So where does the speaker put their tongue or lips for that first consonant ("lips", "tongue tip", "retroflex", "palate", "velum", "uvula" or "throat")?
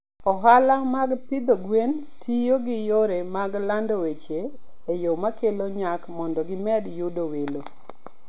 throat